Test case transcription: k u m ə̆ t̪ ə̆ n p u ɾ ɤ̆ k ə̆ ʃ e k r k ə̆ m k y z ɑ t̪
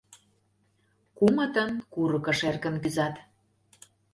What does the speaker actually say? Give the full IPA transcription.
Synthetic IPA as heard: k u m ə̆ t̪ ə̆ n k u ɾ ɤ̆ k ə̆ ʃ e r k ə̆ n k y z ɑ t̪